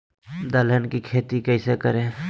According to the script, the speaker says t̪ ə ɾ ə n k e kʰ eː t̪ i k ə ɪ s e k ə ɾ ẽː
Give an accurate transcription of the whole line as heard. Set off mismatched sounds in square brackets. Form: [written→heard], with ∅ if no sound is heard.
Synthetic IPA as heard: [t̪→d̪] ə [ɾ→l] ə n k [e→i] kʰ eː t̪ i k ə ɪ s e k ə ɾ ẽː